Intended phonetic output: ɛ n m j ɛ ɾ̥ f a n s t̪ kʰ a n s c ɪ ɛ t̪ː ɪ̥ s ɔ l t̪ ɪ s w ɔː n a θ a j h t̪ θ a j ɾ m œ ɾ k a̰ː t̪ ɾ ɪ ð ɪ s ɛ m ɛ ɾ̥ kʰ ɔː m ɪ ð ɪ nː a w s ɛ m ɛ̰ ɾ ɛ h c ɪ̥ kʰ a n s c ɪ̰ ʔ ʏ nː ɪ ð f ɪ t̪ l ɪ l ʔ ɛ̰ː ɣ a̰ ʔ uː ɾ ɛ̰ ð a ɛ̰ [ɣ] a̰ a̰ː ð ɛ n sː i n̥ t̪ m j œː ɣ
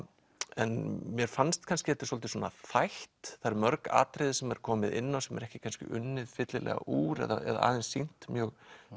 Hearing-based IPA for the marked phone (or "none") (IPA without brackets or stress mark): ð